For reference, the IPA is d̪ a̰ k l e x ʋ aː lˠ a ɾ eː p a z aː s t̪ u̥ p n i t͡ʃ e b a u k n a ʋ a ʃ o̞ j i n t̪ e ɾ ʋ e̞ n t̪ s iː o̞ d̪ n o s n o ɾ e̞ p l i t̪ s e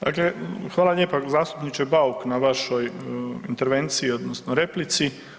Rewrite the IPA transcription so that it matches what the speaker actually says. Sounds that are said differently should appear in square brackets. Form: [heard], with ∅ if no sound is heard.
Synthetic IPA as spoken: d̪ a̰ k l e x ʋ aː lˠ a [ʎ] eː p a z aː s t̪ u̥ p n i t͡ʃ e b a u k n a ʋ a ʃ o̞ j i n t̪ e ɾ ʋ e̞ n t̪ s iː o̞ d̪ n o s n o ɾ e̞ p l i t̪ s [i]